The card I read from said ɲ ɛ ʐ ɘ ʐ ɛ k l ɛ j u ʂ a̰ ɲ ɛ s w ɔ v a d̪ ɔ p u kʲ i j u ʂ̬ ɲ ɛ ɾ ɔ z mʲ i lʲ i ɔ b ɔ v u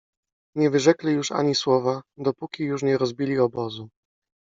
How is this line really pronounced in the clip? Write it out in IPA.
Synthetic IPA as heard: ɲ ɛ v ɘ ʐ ɛ k l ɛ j u ʂ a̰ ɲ i s w ɔ v a d̪ ɔ p u kʲ i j u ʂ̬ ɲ ɛ ɾ ɔ z bʲ i lʲ i ɔ b ɔ z u